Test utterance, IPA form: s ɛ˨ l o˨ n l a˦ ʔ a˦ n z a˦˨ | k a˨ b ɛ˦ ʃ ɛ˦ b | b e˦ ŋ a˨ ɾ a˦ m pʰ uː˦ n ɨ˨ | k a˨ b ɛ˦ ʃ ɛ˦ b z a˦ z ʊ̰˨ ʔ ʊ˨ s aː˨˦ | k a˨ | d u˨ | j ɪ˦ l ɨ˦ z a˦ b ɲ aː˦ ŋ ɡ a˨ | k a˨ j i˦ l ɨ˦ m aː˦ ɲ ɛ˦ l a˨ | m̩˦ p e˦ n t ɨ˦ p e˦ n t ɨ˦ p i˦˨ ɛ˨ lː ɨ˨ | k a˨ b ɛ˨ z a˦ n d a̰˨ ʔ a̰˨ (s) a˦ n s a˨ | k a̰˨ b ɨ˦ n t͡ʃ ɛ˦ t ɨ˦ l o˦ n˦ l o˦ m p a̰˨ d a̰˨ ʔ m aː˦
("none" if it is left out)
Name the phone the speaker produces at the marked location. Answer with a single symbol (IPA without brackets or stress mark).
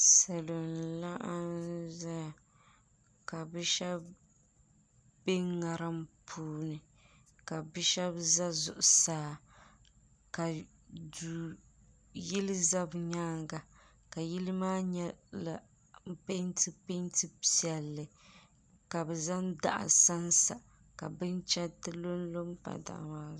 s